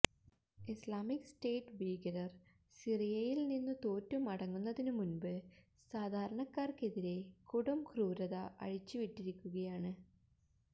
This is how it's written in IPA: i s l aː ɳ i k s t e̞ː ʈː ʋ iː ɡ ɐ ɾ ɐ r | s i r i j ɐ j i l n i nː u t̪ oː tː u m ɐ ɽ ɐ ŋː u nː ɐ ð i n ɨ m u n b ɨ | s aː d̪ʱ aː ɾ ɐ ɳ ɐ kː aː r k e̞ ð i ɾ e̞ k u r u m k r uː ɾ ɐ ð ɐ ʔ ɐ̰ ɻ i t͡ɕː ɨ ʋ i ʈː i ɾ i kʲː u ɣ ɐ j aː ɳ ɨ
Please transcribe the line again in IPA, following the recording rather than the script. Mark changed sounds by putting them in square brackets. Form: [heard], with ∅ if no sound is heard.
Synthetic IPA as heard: i s l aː [m] i k s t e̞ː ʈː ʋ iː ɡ ɐ ɾ ɐ r | s i r i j ɐ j i l n i nː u t̪ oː tː u m ɐ ɽ ɐ ŋː u nː ɐ ð i n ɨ m u n b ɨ | s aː d̪ʱ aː ɾ ɐ ɳ ɐ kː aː r k e̞ ð i ɾ e̞ k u [ɽ] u m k r uː ɾ ɐ ð ɐ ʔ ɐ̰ ɻ i t͡ɕː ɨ ʋ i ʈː i ɾ i kʲː u ɣ ɐ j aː ɳ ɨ